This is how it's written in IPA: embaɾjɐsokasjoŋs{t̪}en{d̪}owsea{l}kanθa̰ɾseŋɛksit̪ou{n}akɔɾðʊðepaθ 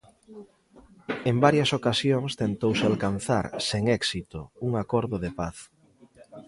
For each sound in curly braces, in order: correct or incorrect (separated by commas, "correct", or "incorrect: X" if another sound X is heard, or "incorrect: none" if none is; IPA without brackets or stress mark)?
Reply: correct, incorrect: t̪, correct, incorrect: ŋ